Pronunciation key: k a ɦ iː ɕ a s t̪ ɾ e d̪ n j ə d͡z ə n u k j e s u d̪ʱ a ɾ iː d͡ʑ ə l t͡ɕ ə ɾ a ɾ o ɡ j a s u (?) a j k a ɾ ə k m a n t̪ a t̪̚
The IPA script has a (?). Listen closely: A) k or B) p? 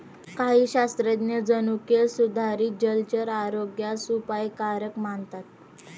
B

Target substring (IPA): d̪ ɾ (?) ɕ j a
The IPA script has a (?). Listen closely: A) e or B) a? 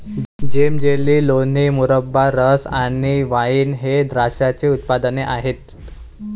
B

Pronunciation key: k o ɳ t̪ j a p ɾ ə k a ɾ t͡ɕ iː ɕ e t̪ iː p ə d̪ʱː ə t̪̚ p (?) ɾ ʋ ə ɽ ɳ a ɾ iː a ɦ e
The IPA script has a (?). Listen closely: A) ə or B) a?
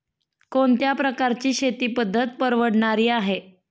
A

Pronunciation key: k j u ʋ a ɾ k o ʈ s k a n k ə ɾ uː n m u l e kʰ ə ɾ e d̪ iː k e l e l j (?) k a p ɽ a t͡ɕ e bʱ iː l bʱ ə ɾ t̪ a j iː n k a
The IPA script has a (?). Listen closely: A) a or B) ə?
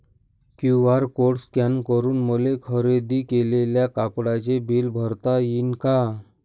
A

